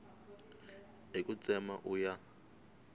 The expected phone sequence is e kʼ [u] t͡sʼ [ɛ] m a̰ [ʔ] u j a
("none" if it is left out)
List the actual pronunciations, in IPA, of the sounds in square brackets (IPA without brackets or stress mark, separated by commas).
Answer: u, ɛ, ʔ